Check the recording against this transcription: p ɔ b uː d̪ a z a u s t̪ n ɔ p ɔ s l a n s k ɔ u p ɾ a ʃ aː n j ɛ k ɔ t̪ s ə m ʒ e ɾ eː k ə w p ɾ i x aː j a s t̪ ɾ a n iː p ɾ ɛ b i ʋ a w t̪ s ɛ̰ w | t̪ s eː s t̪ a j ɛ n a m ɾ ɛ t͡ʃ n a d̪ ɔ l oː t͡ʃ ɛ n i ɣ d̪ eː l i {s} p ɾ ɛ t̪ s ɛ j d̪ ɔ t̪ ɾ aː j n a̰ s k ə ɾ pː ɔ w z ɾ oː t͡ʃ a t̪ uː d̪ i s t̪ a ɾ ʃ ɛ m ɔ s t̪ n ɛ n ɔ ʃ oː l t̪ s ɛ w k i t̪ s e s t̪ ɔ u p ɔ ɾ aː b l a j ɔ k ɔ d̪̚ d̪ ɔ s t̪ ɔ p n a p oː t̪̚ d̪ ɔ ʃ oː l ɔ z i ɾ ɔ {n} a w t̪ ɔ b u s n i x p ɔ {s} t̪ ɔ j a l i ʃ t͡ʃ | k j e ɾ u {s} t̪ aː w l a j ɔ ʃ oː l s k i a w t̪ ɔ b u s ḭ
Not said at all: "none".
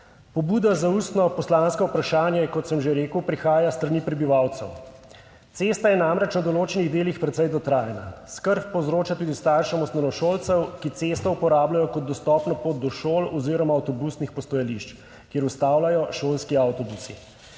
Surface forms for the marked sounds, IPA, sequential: x, m, s, s

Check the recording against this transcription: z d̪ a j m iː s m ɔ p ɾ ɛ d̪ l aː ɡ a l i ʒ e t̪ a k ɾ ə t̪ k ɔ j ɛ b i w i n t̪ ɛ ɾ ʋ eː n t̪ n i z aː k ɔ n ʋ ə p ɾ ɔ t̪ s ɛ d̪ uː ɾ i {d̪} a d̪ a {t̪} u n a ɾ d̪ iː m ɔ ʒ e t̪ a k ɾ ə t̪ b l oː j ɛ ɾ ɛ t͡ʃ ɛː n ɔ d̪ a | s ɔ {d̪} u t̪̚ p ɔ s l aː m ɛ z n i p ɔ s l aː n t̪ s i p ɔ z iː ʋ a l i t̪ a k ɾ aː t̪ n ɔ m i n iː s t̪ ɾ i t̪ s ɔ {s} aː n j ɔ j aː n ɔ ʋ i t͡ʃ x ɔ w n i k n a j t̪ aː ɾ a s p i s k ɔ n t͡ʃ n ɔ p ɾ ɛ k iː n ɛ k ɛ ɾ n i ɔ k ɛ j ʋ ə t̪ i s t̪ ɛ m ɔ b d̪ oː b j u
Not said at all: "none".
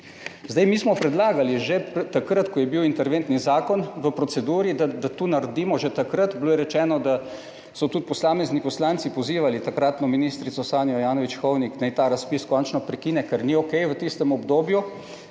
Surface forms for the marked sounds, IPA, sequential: d̪, t̪, t̪, s

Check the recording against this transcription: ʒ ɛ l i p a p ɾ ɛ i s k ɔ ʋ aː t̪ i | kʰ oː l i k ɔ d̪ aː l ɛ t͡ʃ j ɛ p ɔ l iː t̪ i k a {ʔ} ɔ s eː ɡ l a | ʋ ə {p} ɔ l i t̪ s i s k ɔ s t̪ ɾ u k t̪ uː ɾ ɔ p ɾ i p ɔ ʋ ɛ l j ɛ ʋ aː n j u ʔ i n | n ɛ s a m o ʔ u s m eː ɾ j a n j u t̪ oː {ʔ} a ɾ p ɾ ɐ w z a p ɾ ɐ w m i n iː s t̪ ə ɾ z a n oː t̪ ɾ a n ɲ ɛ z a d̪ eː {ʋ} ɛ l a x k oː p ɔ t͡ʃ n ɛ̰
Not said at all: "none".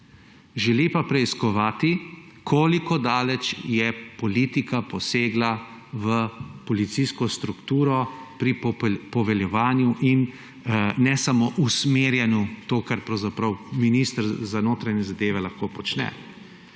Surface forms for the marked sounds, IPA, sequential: p, p, k, ʋ

